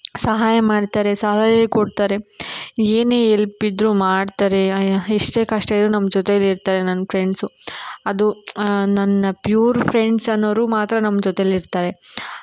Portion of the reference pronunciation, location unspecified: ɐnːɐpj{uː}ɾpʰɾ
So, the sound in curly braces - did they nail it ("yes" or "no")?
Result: yes